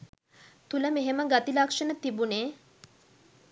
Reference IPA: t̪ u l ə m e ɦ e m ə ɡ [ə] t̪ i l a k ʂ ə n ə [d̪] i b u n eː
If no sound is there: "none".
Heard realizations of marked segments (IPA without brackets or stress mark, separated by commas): a, t̪